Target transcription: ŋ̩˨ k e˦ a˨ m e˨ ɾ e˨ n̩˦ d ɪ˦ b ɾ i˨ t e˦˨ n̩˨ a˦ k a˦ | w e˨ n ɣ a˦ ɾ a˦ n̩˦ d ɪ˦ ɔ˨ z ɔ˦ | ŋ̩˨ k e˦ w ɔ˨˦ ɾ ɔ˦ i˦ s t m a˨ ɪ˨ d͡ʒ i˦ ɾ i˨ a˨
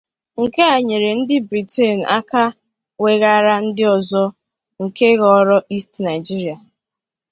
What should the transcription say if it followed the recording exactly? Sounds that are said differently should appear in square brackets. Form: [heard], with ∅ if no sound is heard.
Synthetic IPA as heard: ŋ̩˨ k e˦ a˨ [ɲ] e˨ ɾ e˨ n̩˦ d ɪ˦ b ɾ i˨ t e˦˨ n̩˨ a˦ k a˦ | w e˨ [∅] ɣ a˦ ɾ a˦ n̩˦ d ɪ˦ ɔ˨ z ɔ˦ | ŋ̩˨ k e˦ [ɣ] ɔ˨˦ ɾ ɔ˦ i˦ s t [n] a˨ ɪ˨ d͡ʒ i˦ ɾ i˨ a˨